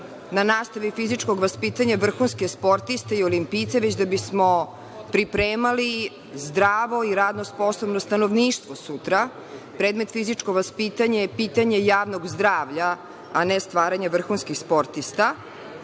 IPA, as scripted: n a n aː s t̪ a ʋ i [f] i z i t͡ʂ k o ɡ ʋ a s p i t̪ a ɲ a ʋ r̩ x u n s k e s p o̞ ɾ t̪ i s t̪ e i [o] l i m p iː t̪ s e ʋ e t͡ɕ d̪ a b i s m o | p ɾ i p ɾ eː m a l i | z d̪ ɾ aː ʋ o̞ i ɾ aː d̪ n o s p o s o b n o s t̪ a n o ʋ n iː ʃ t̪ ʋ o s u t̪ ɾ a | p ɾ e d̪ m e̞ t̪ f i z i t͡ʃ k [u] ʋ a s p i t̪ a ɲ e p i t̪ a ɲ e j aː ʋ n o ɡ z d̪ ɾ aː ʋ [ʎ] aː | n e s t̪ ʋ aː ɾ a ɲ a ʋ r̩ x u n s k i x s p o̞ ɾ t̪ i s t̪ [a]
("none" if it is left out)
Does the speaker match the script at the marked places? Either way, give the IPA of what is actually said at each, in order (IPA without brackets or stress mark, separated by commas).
f, o, o, ʎ, a